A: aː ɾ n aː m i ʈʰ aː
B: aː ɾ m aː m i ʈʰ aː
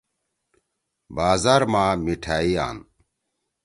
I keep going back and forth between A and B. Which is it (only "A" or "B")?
B